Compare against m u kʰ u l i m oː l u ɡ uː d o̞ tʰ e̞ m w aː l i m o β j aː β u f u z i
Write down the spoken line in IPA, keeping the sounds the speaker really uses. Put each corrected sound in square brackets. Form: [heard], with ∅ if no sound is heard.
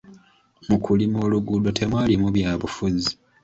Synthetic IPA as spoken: m u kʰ u l i m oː l u ɡ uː d o̞ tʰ e̞ m w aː l i m [u] β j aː β u f u z i

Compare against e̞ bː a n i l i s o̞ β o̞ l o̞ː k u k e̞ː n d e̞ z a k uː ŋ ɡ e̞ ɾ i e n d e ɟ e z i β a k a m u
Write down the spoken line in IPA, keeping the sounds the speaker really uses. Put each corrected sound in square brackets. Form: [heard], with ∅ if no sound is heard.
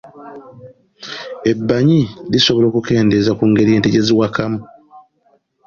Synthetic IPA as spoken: e̞ bː a [ɲ] i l i s o̞ β o̞ l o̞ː k u k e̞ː n d e̞ z a k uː ŋ ɡ e̞ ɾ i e n [t] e ɟ e z i [w] a k a m u

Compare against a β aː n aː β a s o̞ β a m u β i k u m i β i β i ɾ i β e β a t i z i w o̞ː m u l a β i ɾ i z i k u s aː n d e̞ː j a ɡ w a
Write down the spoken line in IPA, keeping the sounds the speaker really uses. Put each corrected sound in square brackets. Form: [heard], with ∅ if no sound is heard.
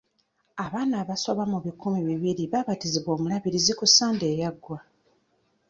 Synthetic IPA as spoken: a β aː n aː β a s o̞ β a m u β i k u m i β i β i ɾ i β [a] β a t i z i [β] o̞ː m u l a β i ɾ i z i k u s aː n d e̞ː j a ɡ w a

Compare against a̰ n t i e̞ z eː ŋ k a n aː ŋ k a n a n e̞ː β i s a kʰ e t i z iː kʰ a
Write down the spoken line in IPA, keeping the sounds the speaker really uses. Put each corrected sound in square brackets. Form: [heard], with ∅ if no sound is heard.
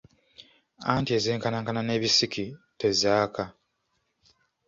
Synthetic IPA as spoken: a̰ n t i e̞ z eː ŋ k a n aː ŋ k a n a n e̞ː β i s [i] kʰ [i] t [e] z [aː] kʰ a

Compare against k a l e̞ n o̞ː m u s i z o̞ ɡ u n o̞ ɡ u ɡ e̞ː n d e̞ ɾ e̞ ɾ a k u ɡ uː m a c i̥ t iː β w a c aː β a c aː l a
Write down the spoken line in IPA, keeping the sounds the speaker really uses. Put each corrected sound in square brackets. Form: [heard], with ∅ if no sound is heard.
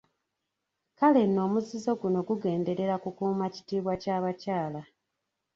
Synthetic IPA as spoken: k a l e̞ n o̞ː m u [z] i z o̞ ɡ u n o̞ ɡ u ɡ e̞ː n d e̞ ɾ e̞ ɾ a k u [k] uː m a c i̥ t iː β w a c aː β a c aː l a

